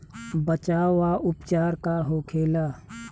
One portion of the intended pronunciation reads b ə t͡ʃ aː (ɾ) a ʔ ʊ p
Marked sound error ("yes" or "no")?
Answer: yes